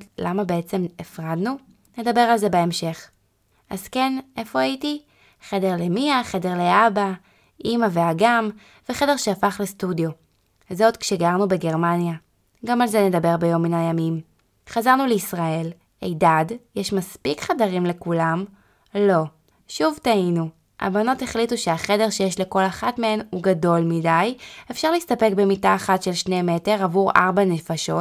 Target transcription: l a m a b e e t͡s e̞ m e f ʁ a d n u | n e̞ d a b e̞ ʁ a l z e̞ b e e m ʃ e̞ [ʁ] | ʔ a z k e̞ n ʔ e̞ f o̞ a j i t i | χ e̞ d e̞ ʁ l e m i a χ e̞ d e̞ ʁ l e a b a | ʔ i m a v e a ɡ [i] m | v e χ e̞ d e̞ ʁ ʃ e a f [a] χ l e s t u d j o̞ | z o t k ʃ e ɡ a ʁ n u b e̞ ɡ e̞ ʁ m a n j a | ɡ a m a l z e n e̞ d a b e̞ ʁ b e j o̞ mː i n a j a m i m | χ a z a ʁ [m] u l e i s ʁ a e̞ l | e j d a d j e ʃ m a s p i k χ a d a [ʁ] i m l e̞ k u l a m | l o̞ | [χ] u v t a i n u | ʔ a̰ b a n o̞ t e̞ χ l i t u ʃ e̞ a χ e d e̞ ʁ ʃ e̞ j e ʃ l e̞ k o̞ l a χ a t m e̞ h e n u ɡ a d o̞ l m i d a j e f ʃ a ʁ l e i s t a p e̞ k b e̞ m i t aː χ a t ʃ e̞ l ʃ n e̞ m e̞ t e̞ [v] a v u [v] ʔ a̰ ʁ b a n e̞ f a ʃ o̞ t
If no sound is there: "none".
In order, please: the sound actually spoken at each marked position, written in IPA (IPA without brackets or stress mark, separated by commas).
χ, a, a, n, ʁ, ʃ, ʁ, ʁ